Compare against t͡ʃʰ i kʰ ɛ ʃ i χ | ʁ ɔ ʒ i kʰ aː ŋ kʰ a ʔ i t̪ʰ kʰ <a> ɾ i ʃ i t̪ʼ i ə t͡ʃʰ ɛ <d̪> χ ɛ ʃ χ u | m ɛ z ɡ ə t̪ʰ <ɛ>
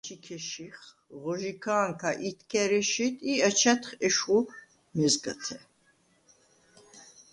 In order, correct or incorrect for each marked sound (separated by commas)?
incorrect, incorrect, correct